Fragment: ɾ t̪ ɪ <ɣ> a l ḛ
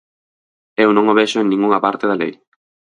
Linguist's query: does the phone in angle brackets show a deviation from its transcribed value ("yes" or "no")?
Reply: yes